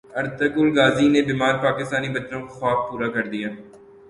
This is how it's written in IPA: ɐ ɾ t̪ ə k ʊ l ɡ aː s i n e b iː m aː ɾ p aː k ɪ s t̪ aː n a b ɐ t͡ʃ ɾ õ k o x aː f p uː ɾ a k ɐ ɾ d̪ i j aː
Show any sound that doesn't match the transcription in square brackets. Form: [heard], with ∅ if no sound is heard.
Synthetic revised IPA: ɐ ɾ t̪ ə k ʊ l ɡ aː [z] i n e b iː m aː ɾ p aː k ɪ s t̪ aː n [i] b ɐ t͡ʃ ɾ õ k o x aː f p uː ɾ a k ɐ ɾ d̪ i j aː